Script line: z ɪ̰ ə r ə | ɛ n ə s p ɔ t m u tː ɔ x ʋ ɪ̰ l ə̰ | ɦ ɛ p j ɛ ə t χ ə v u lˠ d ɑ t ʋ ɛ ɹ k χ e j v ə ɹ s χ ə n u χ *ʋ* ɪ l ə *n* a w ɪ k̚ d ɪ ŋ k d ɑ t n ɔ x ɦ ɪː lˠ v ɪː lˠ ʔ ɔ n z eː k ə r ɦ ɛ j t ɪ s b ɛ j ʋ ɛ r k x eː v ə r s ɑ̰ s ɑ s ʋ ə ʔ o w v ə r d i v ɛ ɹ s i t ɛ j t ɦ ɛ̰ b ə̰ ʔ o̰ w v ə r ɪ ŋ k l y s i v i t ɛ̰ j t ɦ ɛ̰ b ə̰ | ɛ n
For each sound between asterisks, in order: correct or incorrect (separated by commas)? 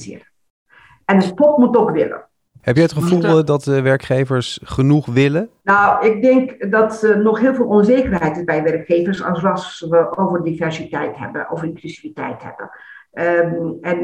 correct, correct